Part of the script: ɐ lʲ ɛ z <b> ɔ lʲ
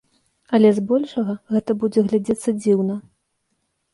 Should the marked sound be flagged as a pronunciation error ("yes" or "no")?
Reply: no